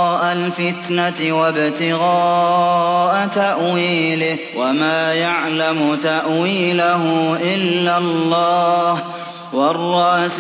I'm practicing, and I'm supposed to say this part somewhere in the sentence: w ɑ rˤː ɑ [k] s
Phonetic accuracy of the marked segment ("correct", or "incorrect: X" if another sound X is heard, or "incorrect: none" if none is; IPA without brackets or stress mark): incorrect: ʔ